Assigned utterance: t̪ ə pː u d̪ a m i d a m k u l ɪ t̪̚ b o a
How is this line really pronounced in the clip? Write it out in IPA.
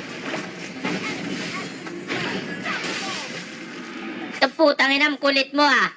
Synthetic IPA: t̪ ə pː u t̪ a ŋ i n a m k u l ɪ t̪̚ m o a